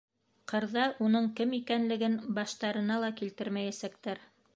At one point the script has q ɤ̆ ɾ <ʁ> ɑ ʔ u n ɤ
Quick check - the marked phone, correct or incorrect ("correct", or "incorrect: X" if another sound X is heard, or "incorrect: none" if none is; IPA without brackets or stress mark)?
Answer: incorrect: ð